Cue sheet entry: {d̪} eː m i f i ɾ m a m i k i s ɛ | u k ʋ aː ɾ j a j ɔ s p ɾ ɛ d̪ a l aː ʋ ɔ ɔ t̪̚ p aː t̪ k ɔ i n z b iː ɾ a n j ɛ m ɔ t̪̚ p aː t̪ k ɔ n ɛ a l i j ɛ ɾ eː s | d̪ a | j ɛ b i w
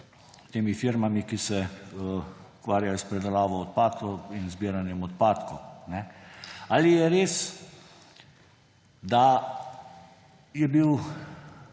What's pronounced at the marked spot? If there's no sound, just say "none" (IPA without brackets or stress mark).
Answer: t̪